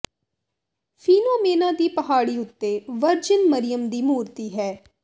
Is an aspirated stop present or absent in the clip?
absent